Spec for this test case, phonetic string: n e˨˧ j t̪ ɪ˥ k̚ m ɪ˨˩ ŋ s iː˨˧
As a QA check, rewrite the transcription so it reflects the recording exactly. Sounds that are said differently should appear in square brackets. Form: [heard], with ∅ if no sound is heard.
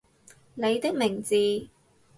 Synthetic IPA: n e˨˧ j t̪ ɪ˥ k̚ m ɪ˨˩ ŋ [t͡s] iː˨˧